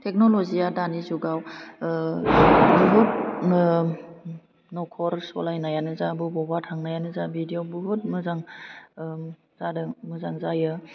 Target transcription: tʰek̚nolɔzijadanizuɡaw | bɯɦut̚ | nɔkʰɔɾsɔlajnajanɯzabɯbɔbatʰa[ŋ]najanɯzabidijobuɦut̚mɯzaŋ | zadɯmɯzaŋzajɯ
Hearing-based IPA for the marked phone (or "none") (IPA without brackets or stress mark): ŋ